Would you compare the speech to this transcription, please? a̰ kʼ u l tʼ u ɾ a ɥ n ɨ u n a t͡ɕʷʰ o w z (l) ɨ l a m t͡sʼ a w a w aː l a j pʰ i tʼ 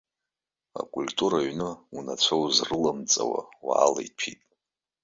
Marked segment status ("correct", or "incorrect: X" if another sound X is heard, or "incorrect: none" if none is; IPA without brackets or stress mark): incorrect: r